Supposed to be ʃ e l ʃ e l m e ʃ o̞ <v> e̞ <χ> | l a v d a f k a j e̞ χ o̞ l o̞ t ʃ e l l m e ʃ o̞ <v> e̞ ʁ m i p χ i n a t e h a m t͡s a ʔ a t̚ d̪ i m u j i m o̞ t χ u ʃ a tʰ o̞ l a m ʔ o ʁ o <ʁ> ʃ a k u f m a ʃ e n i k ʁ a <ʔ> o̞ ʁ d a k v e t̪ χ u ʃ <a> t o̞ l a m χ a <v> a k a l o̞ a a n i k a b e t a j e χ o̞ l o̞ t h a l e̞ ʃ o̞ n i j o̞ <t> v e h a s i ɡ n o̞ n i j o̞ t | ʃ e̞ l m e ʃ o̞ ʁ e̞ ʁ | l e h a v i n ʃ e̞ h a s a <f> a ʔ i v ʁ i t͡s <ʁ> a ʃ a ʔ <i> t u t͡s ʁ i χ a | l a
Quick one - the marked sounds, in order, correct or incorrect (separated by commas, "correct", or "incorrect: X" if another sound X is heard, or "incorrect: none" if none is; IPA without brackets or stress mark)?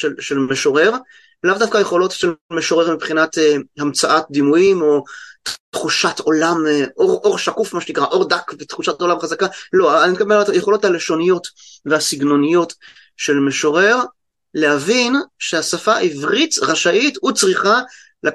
incorrect: ʁ, incorrect: ʁ, incorrect: ʁ, correct, correct, correct, incorrect: z, correct, correct, correct, correct